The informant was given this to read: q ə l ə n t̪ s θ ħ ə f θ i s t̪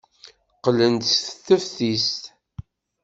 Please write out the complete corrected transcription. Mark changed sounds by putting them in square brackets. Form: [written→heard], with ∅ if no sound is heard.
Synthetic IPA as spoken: q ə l ə n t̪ s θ [ħ→θ] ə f θ i s t̪